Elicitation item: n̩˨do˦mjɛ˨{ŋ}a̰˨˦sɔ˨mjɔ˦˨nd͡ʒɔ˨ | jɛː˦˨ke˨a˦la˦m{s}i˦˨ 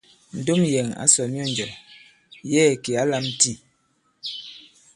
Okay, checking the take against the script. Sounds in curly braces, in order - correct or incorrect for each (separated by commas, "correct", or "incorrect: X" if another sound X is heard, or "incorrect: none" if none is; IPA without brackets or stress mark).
correct, incorrect: t